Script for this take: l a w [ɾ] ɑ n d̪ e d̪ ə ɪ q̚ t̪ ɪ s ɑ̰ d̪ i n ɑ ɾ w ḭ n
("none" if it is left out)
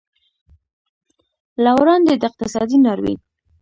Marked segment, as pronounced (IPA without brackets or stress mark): ɾ